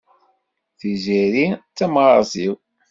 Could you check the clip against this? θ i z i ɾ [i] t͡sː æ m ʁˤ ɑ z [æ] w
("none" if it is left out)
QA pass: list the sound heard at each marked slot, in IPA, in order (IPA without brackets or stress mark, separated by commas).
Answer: i, i